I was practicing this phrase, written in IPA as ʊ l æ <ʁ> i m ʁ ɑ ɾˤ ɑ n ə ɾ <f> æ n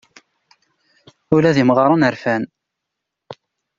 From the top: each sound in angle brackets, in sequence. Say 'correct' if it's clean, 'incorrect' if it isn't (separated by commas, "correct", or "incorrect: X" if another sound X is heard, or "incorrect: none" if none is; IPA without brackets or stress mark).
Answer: incorrect: ð, correct